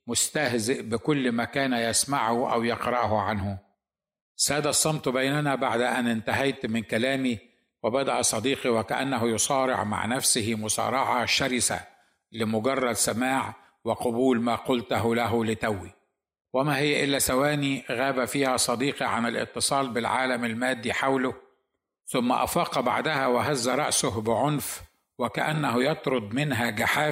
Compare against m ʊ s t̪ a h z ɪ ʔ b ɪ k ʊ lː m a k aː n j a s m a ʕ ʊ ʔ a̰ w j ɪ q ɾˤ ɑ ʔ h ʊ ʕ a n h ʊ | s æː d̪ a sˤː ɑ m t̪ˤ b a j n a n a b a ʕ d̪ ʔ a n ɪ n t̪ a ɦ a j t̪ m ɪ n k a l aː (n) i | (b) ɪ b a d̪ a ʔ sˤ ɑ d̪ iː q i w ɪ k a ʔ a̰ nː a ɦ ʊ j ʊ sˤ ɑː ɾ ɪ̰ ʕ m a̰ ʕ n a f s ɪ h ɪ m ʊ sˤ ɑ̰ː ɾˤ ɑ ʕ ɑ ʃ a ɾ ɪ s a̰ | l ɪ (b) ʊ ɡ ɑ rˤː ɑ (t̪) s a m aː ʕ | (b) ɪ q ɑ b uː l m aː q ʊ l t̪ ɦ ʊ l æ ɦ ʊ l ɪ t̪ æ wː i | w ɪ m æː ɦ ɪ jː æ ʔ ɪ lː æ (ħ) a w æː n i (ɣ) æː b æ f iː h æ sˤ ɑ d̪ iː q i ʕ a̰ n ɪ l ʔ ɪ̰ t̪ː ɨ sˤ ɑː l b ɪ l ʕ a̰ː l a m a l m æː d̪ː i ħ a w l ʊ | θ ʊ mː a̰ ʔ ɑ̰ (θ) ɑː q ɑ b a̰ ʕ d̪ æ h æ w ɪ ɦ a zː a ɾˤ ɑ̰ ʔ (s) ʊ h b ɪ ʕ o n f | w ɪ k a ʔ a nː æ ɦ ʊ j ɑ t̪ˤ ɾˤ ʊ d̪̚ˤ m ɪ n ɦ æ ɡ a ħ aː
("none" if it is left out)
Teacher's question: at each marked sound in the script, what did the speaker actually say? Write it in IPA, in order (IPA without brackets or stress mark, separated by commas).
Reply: m, w, m, d̪, w, s, ɣ, f, s